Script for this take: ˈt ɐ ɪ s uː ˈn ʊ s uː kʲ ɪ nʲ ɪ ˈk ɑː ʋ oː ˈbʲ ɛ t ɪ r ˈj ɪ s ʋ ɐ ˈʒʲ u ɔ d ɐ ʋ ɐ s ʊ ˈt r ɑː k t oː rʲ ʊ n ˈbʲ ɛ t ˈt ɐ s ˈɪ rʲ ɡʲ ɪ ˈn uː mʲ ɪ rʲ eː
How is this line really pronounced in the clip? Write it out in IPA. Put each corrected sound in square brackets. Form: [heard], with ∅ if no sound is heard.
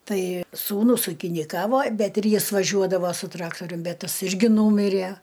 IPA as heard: ˈt ɐ ɪ s uː ˈn ʊ s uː kʲ ɪ nʲ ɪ ˈk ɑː ʋ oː ˈbʲ ɛ t ɪ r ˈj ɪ s ʋ ɐ ˈʒʲ u ɔ d ɐ ʋ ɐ s ʊ ˈt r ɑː k t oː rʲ ʊ [m] ˈbʲ ɛ t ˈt ɐ s ˈɪ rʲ ɡʲ ɪ ˈn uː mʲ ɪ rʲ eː